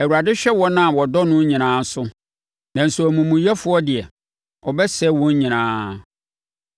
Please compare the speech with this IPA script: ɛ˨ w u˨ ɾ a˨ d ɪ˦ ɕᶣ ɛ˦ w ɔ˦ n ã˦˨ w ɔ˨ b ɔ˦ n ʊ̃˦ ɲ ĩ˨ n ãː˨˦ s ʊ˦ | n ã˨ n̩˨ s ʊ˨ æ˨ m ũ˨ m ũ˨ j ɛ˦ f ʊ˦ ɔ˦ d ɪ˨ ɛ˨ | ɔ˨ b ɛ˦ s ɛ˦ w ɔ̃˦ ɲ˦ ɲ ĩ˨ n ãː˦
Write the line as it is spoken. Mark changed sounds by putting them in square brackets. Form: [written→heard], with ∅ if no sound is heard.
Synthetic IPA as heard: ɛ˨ w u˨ ɾ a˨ d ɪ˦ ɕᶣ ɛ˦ w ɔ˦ n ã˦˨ w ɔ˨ [b→d] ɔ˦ n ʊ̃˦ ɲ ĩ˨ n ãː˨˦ s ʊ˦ | n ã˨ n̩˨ s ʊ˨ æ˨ m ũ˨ m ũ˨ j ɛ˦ f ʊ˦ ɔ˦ d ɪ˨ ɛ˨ | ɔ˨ b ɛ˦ s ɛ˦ w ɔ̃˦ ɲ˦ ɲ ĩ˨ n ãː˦